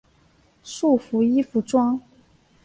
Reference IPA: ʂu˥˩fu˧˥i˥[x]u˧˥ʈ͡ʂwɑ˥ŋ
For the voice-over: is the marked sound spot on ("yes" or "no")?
no